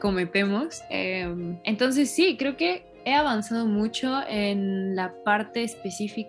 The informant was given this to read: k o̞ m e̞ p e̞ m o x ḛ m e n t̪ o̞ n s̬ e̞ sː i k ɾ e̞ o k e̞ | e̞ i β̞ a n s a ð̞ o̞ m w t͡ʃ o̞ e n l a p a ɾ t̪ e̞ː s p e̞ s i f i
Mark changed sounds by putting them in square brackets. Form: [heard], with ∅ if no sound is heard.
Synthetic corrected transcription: k o̞ m e̞ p e̞ m o [s] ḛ m e n t̪ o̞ n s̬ e̞ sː i k ɾ e̞ o k e̞ | e̞ [a] β̞ a n s a ð̞ o̞ m [u] t͡ʃ o̞ e n l a p a ɾ t̪ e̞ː s p e̞ s i f i